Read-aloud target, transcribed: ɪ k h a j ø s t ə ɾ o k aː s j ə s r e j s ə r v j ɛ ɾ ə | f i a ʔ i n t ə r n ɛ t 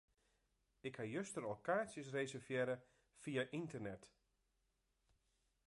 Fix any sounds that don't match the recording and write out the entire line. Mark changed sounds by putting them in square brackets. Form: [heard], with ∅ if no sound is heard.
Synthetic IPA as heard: ɪ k h a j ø s t ə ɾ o k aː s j ə s r e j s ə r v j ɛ ɾ ə | f i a ʔ i n t ə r n ɛ t